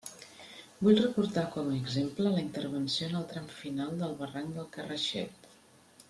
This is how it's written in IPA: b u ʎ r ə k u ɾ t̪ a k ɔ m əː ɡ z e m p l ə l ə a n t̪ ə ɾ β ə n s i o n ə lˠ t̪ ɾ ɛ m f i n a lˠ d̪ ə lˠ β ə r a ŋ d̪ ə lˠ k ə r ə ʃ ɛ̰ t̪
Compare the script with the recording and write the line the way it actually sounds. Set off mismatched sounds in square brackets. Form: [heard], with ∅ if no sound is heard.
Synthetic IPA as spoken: b u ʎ r ə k u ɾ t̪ a k ɔ m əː ɡ z e m p l ə l ə [i] n t̪ ə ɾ β ə n s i o n ə lˠ t̪ ɾ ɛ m f i n a lˠ d̪ ə lˠ β ə r a ŋ d̪ ə lˠ k ə r ə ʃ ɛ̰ t̪